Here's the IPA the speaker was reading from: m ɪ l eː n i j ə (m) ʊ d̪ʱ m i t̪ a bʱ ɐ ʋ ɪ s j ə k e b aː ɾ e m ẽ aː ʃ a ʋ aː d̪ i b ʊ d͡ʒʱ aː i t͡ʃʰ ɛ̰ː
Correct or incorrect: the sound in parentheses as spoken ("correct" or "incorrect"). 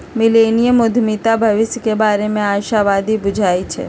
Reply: correct